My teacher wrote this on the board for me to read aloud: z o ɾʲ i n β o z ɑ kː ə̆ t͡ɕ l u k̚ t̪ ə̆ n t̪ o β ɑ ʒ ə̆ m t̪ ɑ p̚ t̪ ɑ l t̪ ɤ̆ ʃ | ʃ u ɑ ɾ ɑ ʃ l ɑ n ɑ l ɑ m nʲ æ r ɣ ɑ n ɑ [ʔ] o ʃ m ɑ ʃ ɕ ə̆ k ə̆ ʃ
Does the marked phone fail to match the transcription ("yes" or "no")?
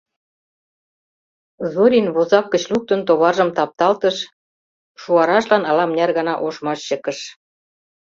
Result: no